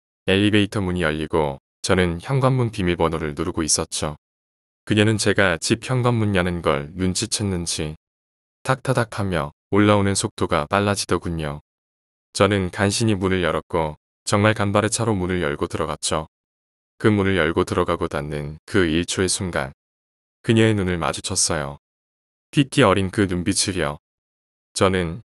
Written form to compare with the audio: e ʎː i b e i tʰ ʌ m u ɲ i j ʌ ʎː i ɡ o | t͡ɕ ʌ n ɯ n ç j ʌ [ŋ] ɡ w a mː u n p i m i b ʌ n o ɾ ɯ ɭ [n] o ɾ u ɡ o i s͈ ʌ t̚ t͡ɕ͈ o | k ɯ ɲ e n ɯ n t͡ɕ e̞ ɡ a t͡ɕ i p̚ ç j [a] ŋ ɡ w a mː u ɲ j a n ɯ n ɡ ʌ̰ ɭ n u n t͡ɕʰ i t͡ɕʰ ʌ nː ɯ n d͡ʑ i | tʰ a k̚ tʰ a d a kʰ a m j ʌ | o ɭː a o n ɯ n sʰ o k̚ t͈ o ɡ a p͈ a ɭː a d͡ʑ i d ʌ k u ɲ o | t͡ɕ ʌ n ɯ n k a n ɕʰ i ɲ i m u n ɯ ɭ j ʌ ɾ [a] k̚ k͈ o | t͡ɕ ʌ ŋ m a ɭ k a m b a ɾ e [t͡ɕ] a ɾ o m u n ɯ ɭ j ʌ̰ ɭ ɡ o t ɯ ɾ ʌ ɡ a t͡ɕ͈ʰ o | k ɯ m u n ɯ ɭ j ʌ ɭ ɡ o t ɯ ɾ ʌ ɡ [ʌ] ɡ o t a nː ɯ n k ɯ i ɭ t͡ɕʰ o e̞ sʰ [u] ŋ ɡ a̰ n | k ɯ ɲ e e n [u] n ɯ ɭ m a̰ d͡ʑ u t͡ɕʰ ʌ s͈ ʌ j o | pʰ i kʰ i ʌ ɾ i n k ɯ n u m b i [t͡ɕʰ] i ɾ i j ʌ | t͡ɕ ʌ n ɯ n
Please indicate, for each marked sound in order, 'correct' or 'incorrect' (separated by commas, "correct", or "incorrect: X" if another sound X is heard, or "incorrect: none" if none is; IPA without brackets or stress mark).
correct, correct, incorrect: ʌ, incorrect: ʌ, incorrect: t͡ɕʰ, incorrect: a, correct, correct, correct